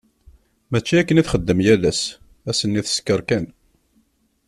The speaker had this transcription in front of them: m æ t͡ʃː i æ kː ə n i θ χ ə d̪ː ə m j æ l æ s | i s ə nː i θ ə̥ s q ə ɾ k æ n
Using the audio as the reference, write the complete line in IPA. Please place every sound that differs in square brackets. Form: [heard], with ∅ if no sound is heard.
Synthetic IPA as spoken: m æ t͡ʃː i æ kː ə n i θ χ ə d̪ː ə m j æ l æ s | [æ] s ə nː i θ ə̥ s [k] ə ɾ k æ n